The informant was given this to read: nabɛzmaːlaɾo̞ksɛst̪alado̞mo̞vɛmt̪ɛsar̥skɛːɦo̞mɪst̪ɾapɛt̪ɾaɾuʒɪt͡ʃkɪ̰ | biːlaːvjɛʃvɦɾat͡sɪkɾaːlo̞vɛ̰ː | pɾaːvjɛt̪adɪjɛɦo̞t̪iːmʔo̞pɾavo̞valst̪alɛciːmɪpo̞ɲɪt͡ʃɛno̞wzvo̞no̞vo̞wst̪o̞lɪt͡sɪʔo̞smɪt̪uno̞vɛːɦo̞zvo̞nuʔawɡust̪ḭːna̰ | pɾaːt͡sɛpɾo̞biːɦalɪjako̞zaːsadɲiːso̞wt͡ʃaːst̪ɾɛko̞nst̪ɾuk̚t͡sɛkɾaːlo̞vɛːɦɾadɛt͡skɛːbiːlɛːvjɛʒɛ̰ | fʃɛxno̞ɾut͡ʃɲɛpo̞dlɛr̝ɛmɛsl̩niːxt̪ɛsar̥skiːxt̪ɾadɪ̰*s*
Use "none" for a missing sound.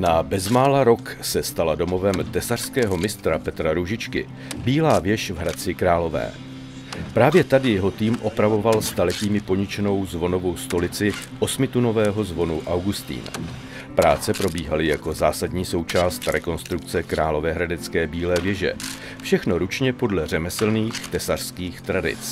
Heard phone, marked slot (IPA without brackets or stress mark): t͡s